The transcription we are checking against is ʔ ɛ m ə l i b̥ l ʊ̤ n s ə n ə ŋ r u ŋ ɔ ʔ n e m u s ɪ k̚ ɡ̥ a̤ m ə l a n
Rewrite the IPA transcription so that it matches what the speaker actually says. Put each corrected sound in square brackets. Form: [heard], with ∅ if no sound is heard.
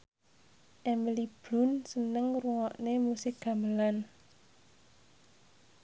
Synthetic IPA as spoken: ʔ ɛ m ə l i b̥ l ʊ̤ n s ə n ə ŋ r u ŋ ɔ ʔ n e m u s ɪ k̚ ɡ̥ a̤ m ə l a n